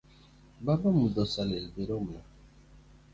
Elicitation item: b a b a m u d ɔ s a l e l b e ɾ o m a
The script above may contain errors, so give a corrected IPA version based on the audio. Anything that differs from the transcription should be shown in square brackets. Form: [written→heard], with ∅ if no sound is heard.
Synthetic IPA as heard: b a b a m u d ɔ s a l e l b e ɾ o m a